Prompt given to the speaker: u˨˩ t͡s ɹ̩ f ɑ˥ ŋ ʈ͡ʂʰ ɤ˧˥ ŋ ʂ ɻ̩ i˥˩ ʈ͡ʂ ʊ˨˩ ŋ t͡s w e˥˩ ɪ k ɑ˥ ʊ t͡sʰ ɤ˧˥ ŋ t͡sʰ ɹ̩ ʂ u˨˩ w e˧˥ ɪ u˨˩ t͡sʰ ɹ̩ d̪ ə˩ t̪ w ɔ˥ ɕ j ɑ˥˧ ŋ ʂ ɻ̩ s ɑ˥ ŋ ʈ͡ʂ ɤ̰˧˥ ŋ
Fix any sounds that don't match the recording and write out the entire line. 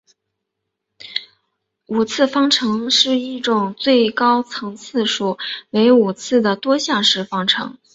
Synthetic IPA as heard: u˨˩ t͡sʰ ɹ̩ f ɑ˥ ŋ ʈ͡ʂʰ ɤ˧˥ ŋ ʂ ɻ̩ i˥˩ ʈ͡ʂ ʊ˨˩ ŋ t͡s w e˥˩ ɪ k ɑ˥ ʊ t͡sʰ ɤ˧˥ ŋ t͡sʰ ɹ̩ ʂ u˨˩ w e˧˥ ɪ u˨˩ t͡sʰ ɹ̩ d̪ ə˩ t̪ w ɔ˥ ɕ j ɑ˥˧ ŋ ʂ ɻ̩ f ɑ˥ ŋ ʈ͡ʂʰ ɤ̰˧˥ ŋ